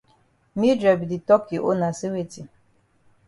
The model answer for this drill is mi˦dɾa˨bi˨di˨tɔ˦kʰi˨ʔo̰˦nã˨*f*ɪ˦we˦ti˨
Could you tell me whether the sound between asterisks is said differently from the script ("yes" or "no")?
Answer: yes